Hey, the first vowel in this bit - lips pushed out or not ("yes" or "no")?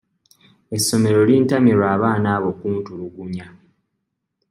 no